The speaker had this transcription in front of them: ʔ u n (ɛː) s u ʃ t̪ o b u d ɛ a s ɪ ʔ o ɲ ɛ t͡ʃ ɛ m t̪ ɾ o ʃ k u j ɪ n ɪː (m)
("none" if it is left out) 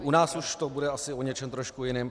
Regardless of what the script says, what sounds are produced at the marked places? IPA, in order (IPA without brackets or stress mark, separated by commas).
aː, m